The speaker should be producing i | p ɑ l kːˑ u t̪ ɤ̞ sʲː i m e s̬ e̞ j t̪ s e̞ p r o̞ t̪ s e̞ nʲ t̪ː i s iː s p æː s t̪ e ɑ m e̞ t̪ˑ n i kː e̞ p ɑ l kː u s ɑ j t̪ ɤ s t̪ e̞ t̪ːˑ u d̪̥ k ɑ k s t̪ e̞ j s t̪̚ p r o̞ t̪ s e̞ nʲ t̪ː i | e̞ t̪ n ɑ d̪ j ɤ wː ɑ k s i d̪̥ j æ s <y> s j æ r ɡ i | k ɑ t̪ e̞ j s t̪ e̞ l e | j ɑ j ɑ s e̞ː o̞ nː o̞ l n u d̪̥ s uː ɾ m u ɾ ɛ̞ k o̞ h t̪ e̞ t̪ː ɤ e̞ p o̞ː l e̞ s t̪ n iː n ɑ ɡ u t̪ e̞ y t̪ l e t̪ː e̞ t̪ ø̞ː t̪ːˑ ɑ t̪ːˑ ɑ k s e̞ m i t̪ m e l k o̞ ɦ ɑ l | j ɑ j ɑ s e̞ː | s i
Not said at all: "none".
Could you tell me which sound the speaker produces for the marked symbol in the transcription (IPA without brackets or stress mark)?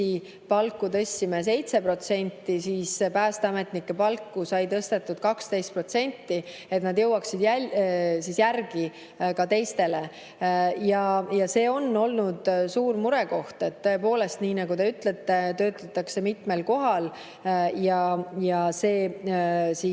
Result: i